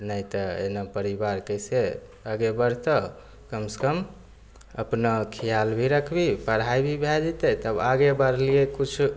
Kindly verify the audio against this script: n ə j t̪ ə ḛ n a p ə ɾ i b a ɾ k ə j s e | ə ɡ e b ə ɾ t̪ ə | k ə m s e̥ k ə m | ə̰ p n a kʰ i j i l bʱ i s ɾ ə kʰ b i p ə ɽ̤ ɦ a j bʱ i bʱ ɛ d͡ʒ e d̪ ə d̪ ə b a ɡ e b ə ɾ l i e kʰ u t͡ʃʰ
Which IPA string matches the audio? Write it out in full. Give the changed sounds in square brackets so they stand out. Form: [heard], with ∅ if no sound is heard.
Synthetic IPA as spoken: n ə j t̪ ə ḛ n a p ə ɾ i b a ɾ k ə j s e | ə ɡ e b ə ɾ t̪ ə | k ə m s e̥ k ə m | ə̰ p n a kʰ i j [a] l bʱ i [∅] ɾ ə kʰ b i p ə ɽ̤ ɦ a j bʱ i bʱ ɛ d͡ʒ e [t̪] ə [t̪] ə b a ɡ e b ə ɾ l i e [k] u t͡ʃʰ